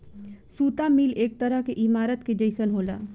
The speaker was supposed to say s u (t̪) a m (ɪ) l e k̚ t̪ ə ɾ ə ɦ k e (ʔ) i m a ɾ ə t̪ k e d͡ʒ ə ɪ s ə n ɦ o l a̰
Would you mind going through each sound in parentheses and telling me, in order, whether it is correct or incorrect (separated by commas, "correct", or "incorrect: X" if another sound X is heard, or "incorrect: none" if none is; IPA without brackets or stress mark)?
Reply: correct, incorrect: i, correct